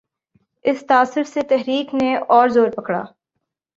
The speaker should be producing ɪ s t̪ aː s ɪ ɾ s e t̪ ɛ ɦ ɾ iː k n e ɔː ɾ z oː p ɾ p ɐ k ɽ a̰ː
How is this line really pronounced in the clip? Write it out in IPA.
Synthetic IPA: ɪ s t̪ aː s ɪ ɾ s e t̪ ɛ ɦ ɾ iː k n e ɔː ɾ z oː ɾ p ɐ k ɽ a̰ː